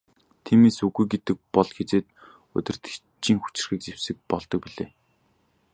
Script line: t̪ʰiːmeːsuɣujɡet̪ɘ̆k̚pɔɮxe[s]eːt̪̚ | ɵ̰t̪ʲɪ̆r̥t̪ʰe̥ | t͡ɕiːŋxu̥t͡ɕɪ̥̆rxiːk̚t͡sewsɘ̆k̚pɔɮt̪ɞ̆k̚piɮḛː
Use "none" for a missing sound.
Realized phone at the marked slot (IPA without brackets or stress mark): t͡s